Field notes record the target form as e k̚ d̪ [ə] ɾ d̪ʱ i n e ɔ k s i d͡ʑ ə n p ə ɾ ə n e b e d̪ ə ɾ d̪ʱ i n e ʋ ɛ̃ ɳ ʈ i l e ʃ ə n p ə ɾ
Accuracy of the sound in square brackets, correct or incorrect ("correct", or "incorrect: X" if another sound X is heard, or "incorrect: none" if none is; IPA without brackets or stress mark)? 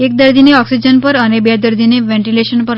correct